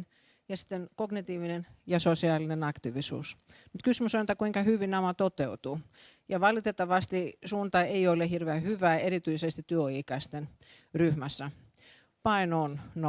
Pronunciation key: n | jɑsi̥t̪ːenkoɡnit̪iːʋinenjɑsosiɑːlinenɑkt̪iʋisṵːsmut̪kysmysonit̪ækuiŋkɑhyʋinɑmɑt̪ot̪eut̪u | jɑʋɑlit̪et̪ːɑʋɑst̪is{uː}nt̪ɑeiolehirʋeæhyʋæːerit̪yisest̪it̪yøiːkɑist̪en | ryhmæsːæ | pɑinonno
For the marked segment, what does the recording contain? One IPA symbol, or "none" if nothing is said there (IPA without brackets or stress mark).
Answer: uː